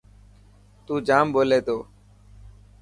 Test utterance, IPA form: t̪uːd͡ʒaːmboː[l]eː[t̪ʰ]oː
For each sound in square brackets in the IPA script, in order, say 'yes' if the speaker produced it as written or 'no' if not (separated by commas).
yes, no